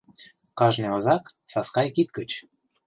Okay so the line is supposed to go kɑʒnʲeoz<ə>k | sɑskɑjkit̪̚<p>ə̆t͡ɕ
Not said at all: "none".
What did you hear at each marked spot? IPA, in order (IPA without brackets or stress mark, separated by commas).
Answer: ɑ, k